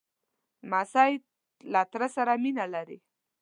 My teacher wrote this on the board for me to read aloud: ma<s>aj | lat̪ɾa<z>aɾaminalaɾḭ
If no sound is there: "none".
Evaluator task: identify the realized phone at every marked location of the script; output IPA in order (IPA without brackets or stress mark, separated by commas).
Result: s, s